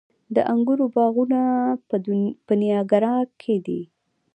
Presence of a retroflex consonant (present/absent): absent